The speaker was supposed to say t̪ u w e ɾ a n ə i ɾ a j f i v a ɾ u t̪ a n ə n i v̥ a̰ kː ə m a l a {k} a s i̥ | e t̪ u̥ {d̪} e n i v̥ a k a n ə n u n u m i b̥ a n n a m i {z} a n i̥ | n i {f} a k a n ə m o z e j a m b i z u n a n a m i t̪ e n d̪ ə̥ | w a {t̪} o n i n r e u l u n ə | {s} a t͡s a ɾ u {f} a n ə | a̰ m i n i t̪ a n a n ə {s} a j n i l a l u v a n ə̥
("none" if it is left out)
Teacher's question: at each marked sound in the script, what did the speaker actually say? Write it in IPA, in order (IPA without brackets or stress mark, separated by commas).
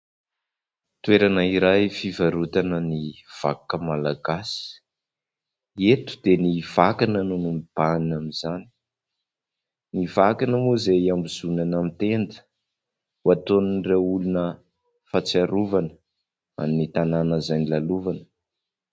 ɡ, d̪, z, v, t̪, f, v, z